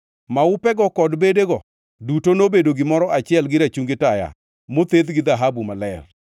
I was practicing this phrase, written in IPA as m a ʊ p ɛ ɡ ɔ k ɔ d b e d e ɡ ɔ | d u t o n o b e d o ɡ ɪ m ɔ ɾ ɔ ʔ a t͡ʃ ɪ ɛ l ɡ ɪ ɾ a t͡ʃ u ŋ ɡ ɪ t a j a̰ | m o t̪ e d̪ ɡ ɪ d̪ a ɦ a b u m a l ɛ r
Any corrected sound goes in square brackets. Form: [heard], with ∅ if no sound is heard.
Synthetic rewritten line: m a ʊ p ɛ ɡ ɔ k ɔ d b e d e ɡ ɔ | d u t o n o b e d o ɡ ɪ m ɔ ɾ ɔ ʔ a t͡ʃ ɪ ɛ l ɡ ɪ ɾ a t͡ʃ u ŋ ɡ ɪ t a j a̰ | m o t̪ e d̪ ɡ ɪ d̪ a ɦ a b u m a l ɛ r